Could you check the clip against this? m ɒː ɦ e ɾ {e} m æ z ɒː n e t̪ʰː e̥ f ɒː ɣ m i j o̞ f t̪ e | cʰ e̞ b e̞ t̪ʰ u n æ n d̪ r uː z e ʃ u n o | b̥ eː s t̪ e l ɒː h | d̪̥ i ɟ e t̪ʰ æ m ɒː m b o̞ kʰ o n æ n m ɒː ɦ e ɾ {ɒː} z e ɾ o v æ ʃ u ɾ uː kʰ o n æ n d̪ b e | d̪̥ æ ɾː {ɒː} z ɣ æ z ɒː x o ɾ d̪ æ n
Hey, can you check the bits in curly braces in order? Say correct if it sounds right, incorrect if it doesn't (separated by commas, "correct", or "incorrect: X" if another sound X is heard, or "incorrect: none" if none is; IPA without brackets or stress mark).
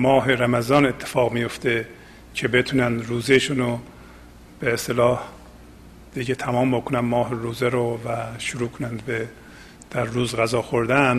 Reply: incorrect: æ, incorrect: uː, incorrect: uː